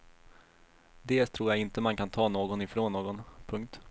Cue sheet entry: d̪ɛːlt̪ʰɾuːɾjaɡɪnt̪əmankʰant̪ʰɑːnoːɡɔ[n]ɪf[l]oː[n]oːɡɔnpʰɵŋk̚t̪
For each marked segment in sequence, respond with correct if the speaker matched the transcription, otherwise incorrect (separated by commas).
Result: correct, incorrect, incorrect